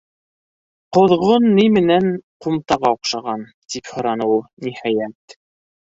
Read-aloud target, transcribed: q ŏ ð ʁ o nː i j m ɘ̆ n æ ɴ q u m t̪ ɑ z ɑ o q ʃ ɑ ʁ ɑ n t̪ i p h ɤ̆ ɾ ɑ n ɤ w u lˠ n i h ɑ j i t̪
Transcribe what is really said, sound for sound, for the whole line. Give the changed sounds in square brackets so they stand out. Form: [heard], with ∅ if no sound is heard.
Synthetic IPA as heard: q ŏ ð ʁ o nː i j m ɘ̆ n æ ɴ q u m t̪ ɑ [ʁ] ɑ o q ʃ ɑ ʁ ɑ n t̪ i p h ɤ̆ ɾ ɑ n ɤ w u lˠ n i h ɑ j [æ] t̪

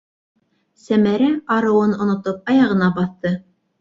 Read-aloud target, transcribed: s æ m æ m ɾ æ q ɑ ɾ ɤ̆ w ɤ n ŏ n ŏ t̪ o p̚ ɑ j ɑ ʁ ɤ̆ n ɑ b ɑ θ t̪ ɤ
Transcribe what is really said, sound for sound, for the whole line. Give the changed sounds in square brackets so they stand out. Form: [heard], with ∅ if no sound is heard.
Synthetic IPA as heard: s æ m æ [∅] ɾ æ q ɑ ɾ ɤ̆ w ɤ n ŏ n ŏ t̪ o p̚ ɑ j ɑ ʁ ɤ̆ n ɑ b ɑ θ t̪ ɤ

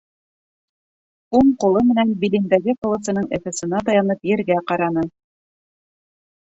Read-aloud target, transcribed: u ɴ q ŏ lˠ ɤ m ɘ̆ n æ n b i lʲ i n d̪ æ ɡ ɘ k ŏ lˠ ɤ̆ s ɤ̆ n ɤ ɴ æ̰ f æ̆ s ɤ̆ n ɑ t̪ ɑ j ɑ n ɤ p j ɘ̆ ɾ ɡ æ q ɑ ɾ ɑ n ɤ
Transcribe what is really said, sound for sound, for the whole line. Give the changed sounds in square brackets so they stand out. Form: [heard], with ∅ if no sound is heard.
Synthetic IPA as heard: u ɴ q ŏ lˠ ɤ m ɘ̆ n æ n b i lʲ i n d̪ æ ɡ ɘ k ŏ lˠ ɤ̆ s ɤ̆ n ɤ ɴ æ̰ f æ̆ s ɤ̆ n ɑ t̪ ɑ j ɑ n ɤ p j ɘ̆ ɾ ɡ æ q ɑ ɾ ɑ n ɤ

